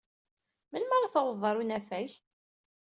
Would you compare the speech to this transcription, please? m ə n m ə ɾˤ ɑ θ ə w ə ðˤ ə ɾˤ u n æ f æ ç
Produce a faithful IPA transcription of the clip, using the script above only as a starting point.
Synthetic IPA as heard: m ə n m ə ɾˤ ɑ θ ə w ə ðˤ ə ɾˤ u n æ f æ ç